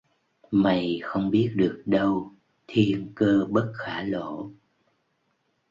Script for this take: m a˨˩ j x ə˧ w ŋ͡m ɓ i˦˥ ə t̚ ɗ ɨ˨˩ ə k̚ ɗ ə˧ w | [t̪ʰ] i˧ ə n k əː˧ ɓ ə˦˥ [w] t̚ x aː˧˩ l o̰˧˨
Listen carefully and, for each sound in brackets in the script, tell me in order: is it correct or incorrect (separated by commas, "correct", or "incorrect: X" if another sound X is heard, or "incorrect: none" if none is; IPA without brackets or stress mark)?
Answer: correct, incorrect: none